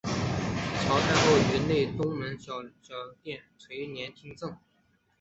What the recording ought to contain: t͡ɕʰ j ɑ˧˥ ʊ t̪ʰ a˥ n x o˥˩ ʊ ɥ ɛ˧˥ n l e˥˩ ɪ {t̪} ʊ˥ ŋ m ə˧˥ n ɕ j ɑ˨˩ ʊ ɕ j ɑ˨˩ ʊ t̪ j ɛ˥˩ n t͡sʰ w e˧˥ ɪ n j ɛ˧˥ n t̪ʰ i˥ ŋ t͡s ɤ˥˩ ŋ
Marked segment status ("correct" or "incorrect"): correct